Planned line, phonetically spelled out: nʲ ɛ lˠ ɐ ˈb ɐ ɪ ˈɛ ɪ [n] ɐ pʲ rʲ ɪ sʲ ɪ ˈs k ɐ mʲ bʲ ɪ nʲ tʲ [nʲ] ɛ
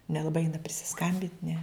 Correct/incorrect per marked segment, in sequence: correct, correct

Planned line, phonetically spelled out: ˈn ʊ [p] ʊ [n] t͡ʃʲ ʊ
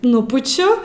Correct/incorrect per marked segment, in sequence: correct, incorrect: none

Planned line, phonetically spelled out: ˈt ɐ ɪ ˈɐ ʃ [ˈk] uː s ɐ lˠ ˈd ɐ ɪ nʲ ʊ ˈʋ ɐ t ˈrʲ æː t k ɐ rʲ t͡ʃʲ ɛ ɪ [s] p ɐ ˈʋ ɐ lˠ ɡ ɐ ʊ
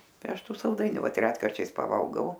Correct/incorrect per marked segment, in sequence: incorrect: t, correct

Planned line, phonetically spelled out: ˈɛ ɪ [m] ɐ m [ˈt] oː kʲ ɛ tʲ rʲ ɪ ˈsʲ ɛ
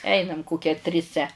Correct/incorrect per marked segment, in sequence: incorrect: n, incorrect: k

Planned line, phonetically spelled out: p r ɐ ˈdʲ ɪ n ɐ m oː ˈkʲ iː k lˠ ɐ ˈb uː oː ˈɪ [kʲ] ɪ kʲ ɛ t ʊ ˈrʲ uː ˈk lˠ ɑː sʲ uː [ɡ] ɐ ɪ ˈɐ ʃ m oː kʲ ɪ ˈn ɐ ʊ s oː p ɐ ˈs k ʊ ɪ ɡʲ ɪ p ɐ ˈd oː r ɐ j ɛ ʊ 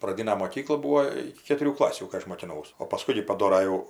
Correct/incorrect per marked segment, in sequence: correct, incorrect: k

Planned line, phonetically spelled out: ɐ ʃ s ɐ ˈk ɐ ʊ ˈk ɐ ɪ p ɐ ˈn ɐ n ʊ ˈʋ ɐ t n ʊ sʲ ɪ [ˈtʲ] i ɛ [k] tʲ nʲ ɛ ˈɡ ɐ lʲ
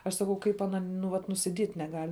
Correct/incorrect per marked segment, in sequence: incorrect: dʲ, incorrect: none

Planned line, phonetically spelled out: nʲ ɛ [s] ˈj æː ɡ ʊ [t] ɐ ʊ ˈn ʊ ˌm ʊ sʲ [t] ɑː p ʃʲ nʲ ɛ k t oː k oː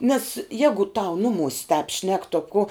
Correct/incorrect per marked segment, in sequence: correct, correct, correct

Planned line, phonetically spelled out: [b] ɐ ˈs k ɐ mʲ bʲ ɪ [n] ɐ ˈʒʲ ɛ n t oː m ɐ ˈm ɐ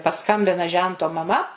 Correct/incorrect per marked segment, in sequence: incorrect: p, correct

